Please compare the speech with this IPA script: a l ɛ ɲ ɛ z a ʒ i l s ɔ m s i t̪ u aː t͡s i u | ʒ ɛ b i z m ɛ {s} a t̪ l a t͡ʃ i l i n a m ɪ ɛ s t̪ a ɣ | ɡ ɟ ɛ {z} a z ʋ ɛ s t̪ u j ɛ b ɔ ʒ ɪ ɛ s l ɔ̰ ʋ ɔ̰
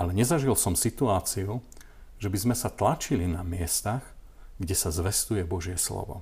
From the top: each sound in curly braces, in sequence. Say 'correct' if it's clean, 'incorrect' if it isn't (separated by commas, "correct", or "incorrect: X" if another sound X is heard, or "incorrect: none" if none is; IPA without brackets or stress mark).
correct, incorrect: s